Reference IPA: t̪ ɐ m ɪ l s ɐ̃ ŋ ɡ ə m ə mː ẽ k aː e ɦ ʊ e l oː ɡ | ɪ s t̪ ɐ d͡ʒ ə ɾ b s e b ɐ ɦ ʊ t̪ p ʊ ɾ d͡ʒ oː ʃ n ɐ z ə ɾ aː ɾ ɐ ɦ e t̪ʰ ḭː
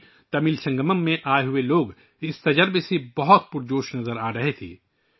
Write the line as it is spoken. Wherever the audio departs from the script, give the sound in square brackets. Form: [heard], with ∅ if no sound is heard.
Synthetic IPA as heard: t̪ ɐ m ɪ l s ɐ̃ ŋ ɡ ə m ə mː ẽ [ʔ] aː e ɦ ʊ e l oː ɡ | ɪ s t̪ ɐ d͡ʒ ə ɾ b s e b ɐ ɦ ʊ t̪ p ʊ ɾ d͡ʒ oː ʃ n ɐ z ə ɾ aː ɾ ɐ ɦ e t̪ʰ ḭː

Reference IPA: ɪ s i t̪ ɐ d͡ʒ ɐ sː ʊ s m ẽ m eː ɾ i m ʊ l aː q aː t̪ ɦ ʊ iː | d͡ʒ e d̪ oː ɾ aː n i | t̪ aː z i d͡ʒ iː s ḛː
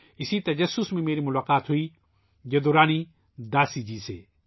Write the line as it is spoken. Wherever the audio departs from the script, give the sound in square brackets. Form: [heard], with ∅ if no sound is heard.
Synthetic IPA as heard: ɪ s i t̪ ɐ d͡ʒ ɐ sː ʊ s m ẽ m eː ɾ i m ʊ l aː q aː t̪ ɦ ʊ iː | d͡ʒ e d̪ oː ɾ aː n i | [d̪] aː [s] i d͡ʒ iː s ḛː

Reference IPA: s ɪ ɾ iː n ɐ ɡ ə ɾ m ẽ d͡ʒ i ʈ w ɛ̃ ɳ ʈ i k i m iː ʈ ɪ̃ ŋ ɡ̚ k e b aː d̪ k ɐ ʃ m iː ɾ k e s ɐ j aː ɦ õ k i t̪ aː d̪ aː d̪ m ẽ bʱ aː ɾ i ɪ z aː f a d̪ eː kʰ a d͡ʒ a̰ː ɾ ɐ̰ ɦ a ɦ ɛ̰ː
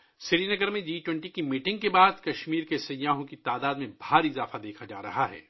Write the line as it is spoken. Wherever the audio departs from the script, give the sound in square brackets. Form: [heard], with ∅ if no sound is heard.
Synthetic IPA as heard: s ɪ ɾ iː n ɐ ɡ ə ɾ m ẽ d͡ʒ [iː] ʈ w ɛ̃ ɳ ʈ i k i m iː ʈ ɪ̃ ŋ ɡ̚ k e b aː d̪ k ɐ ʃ m iː ɾ k e s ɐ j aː ɦ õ k i t̪ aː d̪ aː d̪ m ẽ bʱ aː ɾ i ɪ z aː f a d̪ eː kʰ a d͡ʒ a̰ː ɾ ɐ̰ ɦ a ɦ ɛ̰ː

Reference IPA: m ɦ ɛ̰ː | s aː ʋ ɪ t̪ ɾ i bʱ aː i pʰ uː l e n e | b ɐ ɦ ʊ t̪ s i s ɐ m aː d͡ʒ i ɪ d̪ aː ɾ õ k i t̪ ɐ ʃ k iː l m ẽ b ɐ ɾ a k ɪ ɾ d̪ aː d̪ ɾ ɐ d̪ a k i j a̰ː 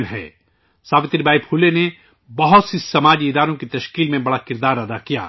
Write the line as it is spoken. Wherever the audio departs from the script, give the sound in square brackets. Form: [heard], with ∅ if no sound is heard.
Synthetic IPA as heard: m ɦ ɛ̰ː | s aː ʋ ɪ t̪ ɾ i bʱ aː i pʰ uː l e n e | b ɐ ɦ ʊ t̪ s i s ɐ m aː d͡ʒ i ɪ d̪ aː ɾ õ k i t̪ ɐ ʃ k iː l m ẽ b ɐ [ɽ] a k ɪ ɾ d̪ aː [∅] ɾ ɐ d̪ a k i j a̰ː

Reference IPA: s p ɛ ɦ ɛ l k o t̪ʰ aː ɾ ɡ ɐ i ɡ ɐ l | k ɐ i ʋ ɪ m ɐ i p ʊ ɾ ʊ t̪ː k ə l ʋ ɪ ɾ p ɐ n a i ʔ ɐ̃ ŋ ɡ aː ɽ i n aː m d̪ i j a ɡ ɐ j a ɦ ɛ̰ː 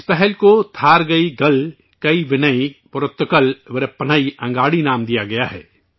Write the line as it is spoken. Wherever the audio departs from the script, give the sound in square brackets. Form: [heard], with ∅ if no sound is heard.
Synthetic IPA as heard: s p ɛ ɦ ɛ l k o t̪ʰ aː ɾ ɡ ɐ i ɡ ɐ l | k ɐ i ʋ ɪ [n] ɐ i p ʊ ɾ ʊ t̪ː k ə l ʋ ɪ ɾ p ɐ n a i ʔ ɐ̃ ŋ ɡ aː ɽ i n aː m d̪ i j a ɡ ɐ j a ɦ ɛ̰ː

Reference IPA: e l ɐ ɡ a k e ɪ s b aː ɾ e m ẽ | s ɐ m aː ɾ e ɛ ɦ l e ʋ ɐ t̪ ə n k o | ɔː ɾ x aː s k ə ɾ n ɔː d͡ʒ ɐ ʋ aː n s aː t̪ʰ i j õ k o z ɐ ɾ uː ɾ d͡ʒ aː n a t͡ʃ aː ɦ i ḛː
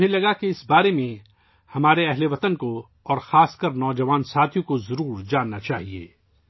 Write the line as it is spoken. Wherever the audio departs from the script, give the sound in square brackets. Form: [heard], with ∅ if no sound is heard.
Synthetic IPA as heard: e l ɐ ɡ a k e ɪ s b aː ɾ e m ẽ | [h] ɐ m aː ɾ e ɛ ɦ l e ʋ ɐ t̪ ə n k o | ɔː ɾ x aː s k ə ɾ n ɔː d͡ʒ ɐ ʋ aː n s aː t̪ʰ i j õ k o z ɐ ɾ uː ɾ d͡ʒ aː [nː] a t͡ʃ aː ɦ i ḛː

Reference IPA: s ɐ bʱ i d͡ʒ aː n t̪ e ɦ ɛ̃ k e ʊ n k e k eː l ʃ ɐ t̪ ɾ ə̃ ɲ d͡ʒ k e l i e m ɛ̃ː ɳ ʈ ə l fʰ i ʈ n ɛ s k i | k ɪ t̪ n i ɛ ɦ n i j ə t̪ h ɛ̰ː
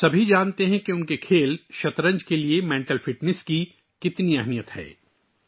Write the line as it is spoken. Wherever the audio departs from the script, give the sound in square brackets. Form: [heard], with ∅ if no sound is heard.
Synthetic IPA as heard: s ɐ bʱ i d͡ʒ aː n t̪ e ɦ ɛ̃ k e ʊ n k e [kʰ] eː l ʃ ɐ t̪ ɾ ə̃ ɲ d͡ʒ k e l i e m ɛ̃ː ɳ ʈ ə l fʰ [ɪ] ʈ n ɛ s k i | k ɪ t̪ n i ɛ ɦ n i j ə t̪ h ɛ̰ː

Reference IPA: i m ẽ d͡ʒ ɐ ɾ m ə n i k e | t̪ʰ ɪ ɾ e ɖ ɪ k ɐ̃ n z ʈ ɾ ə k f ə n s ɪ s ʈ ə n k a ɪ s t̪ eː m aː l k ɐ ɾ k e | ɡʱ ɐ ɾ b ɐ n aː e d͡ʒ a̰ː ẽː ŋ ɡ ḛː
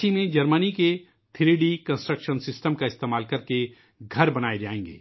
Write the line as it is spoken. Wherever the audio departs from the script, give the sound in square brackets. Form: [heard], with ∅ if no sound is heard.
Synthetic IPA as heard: i m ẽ d͡ʒ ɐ ɾ m ə n i k e | t̪ʰ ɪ ɾ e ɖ [i] k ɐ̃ n [s] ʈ ɾ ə k [ʃ] ə n s ɪ s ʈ ə [m] k a ɪ s t̪ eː m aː l k ɐ ɾ k e | ɡʱ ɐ ɾ b ɐ n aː e d͡ʒ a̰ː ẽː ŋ ɡ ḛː

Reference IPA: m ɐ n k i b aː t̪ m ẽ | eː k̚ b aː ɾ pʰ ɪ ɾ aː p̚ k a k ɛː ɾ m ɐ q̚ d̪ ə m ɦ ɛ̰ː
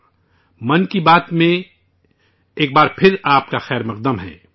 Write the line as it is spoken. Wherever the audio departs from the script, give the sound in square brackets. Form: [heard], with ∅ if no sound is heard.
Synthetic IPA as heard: m ɐ n k i b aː t̪ m ẽ | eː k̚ b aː ɾ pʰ ɪ ɾ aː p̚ k a [x] ɛː ɾ m ɐ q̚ d̪ ə m ɦ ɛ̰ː

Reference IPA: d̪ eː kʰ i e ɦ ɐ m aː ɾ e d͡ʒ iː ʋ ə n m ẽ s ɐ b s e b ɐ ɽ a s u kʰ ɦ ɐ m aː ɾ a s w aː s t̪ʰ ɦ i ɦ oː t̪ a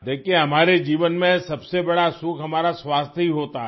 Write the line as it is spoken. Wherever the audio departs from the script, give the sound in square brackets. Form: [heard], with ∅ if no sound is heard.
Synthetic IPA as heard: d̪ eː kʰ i e ɦ ɐ m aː ɾ e d͡ʒ iː ʋ ə n m ẽ s ɐ b s e b ɐ ɽ a s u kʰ ɦ ɐ m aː ɾ a s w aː s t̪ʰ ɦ i ɦ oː t̪ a

